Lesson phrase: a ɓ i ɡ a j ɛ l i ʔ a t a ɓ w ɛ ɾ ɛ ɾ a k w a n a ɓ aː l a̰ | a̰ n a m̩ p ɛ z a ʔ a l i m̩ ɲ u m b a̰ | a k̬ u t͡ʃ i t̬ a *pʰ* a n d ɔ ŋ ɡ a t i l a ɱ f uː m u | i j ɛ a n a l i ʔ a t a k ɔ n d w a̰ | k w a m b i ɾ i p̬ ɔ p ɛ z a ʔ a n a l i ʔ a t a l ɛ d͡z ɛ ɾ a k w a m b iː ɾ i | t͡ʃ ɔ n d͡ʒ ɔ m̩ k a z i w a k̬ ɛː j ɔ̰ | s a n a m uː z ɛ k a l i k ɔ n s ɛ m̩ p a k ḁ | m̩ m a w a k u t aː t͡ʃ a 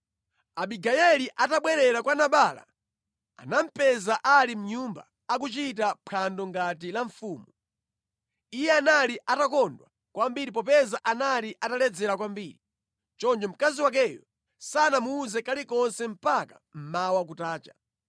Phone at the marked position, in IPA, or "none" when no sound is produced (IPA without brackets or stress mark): pʰ